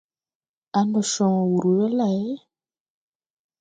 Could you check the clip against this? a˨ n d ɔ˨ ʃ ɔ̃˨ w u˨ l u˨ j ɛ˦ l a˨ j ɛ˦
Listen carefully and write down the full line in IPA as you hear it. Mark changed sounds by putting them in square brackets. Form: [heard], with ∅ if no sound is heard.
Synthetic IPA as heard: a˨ n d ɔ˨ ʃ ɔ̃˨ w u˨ [ɾ] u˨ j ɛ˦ l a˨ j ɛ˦